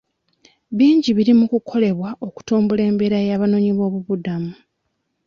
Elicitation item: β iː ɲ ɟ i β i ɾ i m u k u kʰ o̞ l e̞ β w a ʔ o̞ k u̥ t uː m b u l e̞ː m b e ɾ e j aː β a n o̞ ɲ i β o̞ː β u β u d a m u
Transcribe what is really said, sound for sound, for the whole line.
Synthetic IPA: β iː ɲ ɟ i β i ɾ i m u k u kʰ o̞ l e̞ β w a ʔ o̞ k u̥ t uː m b u l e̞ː m b e ɾ a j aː β a n o̞ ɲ i β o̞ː β u β u d a m u